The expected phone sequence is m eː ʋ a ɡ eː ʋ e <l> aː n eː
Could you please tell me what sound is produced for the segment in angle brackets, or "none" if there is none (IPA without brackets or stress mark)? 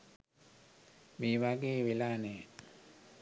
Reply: l